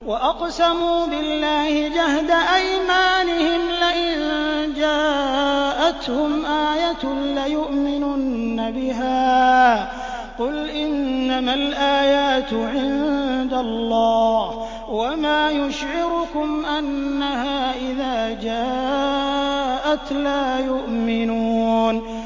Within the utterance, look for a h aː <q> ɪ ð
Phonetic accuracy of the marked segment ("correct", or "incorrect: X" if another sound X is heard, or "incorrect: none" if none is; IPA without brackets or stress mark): incorrect: ʔ